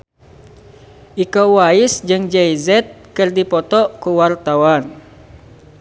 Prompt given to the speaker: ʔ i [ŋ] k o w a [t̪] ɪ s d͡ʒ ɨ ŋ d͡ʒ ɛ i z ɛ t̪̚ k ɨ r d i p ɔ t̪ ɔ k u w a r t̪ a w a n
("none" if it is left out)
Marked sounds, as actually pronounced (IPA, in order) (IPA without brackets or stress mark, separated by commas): none, none